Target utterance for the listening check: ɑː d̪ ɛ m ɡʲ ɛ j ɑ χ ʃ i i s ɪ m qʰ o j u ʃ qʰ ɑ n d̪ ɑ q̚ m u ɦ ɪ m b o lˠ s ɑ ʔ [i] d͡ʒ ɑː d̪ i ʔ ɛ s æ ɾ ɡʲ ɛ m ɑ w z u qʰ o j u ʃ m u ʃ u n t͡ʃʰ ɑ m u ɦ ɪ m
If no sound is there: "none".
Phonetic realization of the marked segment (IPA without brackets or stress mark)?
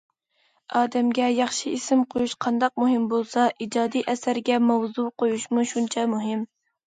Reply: i